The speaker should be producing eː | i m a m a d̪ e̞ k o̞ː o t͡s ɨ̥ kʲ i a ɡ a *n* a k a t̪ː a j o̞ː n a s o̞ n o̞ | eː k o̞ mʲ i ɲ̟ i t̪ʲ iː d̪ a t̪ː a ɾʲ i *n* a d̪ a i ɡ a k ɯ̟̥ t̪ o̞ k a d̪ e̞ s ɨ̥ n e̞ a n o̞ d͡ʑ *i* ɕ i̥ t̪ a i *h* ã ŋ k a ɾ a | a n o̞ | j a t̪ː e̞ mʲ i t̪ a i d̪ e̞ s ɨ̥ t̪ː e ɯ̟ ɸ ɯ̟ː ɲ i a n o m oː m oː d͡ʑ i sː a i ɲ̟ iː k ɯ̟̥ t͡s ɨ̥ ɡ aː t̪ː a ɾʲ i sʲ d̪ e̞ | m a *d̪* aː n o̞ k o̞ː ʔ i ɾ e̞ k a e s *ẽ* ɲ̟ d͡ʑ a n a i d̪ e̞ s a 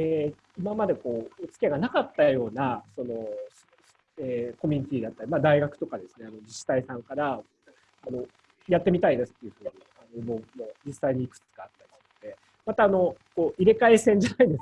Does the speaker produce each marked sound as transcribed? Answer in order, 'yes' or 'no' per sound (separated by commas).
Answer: yes, no, yes, no, no, yes